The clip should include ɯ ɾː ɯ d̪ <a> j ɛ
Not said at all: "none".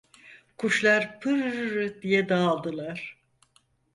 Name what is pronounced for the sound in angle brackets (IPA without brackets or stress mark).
i